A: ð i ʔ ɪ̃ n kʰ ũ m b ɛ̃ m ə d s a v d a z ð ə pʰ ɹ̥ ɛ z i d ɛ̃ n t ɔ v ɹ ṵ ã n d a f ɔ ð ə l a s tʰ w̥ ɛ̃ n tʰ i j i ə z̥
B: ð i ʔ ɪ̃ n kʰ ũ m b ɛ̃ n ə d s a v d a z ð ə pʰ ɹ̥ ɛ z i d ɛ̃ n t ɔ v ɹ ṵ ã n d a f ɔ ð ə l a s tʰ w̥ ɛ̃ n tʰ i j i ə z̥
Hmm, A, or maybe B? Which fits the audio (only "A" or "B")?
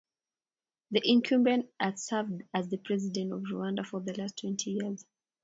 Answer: B